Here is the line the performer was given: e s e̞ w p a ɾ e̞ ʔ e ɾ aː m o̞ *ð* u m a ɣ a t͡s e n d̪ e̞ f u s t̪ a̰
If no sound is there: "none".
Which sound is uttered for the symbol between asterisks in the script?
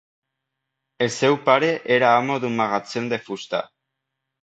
ð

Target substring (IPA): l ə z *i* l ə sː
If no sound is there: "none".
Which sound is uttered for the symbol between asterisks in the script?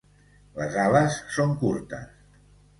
a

